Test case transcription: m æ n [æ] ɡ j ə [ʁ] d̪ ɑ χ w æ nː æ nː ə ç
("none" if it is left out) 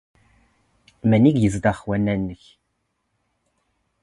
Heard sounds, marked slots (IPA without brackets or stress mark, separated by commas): i, z